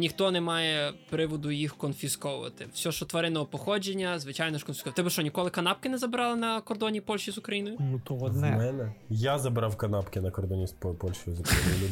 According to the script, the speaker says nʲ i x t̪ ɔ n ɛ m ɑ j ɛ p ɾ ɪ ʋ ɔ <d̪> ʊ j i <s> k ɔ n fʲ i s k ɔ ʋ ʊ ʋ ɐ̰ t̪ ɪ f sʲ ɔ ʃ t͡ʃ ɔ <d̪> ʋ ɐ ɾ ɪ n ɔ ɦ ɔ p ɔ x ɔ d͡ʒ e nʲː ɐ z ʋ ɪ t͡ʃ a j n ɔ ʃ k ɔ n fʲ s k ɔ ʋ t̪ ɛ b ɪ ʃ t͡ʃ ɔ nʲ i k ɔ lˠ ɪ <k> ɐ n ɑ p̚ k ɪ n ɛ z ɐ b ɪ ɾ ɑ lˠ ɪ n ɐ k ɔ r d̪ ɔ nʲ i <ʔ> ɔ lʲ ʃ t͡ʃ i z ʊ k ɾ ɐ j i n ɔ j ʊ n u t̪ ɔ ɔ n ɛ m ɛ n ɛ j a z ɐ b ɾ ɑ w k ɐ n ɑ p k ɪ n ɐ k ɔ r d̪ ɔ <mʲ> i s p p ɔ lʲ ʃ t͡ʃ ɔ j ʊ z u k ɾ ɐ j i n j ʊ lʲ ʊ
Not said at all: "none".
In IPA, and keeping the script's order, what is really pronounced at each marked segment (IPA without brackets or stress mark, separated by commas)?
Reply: d̪, x, t̪, k, p, nʲ